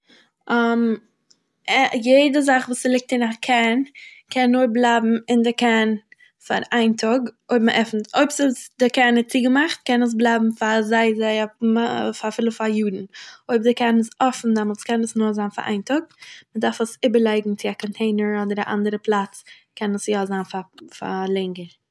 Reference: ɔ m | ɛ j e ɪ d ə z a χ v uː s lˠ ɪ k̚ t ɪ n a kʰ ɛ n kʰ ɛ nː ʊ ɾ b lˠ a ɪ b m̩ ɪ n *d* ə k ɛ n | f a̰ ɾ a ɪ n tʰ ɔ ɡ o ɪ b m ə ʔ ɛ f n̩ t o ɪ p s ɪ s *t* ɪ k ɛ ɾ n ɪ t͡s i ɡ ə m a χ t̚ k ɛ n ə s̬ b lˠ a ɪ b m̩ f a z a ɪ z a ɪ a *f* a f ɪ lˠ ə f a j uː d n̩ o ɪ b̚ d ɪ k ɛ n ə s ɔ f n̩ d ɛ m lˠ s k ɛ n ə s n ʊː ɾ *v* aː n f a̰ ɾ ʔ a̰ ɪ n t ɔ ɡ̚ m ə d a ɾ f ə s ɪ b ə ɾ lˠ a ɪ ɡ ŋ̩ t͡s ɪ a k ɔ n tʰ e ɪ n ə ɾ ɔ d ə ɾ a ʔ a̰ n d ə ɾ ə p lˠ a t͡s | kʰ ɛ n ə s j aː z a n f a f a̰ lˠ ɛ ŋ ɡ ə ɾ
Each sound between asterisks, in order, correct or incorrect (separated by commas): correct, incorrect, correct, incorrect